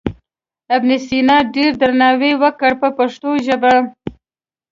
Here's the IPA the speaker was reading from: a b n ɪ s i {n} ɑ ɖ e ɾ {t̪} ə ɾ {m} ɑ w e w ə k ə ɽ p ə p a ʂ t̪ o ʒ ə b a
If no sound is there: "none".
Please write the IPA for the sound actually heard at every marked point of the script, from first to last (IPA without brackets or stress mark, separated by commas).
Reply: n, d̪, n